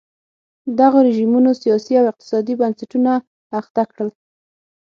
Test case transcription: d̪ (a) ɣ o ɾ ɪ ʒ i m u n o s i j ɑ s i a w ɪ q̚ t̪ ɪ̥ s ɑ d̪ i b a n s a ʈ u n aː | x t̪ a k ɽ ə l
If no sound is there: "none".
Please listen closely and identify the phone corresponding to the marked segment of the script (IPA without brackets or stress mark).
a